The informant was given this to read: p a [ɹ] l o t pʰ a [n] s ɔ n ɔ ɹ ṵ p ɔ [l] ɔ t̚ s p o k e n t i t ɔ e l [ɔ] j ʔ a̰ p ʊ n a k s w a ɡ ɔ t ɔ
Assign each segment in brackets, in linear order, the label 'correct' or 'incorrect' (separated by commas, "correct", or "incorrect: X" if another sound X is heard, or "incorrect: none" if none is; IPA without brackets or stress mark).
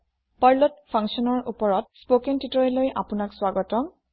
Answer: correct, incorrect: ŋ, incorrect: ɹ, incorrect: o